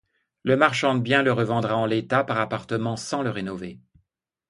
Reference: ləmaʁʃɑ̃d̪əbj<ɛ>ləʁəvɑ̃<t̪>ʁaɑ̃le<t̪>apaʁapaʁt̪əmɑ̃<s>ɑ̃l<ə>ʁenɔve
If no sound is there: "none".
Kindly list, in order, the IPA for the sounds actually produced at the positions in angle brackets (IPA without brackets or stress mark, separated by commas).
ɛ̃, d̪, t̪, s, ə